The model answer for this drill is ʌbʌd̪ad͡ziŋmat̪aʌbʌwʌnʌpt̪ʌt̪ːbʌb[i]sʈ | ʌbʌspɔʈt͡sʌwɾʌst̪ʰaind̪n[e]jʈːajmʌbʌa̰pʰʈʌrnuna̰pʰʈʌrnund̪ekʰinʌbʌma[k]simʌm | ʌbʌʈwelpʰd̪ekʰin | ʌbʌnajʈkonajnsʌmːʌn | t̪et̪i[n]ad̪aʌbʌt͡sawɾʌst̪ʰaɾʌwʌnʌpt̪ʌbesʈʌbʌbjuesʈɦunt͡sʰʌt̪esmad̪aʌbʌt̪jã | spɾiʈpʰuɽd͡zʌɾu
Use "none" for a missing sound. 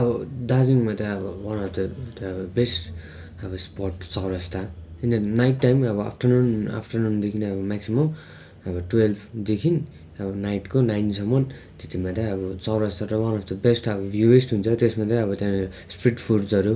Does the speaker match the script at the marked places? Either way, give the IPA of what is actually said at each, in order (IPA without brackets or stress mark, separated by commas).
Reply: e, a, k, m